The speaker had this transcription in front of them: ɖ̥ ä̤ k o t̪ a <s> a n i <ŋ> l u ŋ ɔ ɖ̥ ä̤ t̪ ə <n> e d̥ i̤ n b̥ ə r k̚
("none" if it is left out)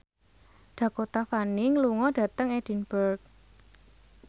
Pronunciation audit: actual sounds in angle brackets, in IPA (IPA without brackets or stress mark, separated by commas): f, ŋ, ŋ